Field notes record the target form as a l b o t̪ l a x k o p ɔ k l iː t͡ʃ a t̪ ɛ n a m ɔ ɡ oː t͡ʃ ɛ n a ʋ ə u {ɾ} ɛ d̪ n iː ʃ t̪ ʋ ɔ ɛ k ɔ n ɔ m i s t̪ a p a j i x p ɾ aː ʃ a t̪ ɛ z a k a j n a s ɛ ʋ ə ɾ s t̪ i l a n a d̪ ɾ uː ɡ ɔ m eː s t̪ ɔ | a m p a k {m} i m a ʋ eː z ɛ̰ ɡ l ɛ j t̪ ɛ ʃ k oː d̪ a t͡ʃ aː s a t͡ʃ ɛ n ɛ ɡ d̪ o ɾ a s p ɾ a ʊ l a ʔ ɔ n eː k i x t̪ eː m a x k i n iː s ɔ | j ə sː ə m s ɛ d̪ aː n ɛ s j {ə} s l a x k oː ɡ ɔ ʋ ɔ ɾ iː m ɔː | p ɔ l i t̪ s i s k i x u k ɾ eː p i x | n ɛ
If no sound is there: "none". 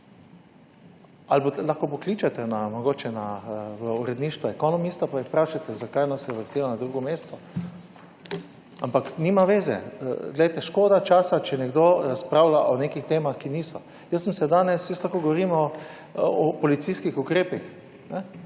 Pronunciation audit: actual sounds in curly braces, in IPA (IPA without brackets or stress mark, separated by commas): ɾ, n, ə